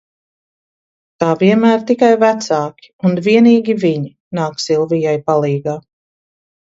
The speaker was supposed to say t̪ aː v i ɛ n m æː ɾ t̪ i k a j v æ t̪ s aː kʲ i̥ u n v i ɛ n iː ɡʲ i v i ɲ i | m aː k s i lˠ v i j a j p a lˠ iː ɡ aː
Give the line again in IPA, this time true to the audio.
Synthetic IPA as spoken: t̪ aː v i ɛ n m æː ɾ t̪ i k a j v æ t̪ s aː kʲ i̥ u n v i ɛ n iː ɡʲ i v i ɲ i | n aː k s i lˠ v i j a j p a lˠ iː ɡ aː